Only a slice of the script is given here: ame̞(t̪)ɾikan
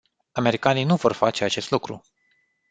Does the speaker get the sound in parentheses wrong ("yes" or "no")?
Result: yes